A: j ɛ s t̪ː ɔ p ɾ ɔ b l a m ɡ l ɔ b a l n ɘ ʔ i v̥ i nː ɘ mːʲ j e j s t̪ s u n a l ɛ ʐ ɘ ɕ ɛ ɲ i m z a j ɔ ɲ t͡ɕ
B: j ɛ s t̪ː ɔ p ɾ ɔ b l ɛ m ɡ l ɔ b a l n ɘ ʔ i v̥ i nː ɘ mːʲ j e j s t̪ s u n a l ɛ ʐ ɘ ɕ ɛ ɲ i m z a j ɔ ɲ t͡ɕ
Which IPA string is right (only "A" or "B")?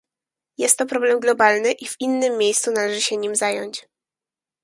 B